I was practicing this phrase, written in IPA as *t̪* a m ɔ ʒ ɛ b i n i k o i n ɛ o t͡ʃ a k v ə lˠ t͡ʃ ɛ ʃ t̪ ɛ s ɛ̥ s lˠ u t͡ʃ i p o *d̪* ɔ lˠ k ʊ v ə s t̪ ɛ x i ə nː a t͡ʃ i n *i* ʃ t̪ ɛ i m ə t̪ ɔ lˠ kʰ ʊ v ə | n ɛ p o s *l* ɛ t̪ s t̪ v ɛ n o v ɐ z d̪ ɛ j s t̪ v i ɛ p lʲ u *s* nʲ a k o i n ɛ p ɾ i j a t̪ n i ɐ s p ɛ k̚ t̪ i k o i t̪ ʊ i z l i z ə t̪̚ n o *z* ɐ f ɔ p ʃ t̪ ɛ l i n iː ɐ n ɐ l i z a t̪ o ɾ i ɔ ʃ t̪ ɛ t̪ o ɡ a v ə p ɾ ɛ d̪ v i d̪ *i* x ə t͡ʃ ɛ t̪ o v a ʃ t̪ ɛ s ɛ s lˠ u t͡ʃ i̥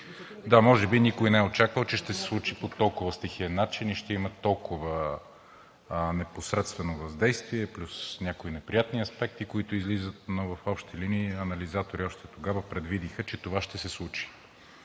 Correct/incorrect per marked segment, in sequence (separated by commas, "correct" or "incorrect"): incorrect, incorrect, correct, incorrect, correct, incorrect, correct